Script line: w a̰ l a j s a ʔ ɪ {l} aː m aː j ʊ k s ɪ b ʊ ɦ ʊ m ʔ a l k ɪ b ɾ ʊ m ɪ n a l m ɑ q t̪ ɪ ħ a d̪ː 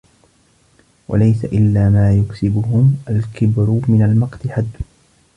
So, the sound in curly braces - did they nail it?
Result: no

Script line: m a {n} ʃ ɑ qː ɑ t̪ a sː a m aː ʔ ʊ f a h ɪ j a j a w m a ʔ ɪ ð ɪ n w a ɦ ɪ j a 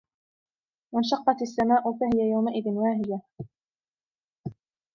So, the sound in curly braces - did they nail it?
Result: yes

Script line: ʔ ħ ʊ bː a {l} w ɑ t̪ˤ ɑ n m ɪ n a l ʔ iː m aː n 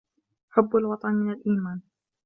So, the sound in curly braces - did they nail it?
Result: yes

